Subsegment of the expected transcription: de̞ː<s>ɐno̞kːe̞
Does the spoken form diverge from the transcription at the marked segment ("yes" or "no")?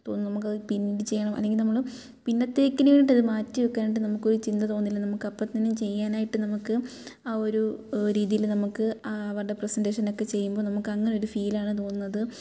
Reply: yes